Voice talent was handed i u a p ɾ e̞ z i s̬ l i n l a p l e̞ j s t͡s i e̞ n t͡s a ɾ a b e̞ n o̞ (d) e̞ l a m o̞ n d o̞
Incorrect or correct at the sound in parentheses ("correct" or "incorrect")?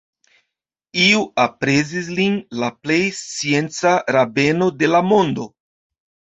correct